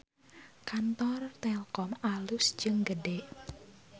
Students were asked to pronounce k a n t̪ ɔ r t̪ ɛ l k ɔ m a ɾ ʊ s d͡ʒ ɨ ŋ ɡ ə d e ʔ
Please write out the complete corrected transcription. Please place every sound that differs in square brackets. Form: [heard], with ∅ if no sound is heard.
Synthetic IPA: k a n t̪ ɔ r t̪ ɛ l k ɔ m a [l] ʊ s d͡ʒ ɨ ŋ ɡ ə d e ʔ